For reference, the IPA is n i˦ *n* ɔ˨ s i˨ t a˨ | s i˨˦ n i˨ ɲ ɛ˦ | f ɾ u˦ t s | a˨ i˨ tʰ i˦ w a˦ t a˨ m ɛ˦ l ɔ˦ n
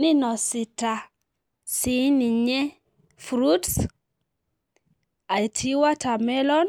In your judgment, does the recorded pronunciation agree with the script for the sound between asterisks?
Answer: yes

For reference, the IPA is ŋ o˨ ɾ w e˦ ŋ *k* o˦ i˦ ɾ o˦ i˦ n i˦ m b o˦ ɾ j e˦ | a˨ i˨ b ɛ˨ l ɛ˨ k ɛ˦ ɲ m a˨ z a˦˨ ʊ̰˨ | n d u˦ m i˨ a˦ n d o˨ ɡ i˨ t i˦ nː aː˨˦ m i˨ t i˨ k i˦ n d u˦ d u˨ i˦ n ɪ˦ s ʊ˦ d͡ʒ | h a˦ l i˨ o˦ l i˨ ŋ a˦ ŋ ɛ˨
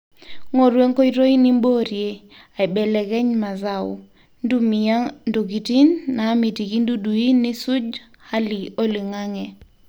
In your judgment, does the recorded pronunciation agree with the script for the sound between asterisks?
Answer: yes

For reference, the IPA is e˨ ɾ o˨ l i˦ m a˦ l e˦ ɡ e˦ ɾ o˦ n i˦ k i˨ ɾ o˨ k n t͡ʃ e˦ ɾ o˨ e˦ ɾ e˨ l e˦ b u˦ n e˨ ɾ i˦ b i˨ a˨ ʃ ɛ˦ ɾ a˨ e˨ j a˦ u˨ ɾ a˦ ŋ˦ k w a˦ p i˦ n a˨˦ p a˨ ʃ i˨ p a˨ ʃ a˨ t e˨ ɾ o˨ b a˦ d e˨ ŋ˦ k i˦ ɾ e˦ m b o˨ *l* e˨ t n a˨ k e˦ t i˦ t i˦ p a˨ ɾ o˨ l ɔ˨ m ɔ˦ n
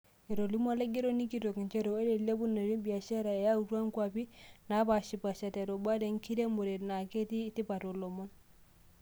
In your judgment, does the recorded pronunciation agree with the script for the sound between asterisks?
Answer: no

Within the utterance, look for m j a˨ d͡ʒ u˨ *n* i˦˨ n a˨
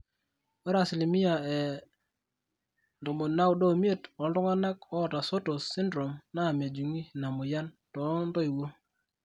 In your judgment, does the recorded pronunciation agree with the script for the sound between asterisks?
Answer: no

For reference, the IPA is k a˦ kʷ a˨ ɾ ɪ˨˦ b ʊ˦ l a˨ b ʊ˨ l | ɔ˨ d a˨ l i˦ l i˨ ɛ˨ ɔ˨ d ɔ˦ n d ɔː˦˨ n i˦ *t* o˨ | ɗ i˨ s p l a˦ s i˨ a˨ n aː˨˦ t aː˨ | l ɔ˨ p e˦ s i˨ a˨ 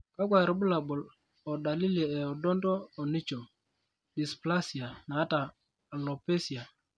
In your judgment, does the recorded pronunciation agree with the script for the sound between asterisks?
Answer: no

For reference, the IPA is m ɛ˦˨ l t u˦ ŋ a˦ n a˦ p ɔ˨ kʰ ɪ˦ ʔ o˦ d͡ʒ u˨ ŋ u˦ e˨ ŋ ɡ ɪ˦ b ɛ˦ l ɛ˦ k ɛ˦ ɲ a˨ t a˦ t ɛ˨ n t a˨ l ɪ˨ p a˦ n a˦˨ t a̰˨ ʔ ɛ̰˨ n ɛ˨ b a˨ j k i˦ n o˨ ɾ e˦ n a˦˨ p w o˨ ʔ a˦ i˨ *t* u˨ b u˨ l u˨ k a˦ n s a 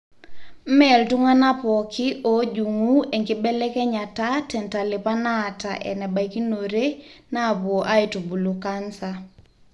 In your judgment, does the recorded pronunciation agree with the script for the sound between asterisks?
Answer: yes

